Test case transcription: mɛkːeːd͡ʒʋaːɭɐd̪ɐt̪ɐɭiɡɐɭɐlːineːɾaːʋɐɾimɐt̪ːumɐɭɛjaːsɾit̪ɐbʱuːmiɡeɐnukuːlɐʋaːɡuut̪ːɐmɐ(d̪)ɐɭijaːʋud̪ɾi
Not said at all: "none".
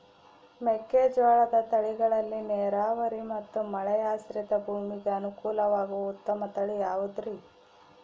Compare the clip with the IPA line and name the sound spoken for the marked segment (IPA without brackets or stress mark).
t̪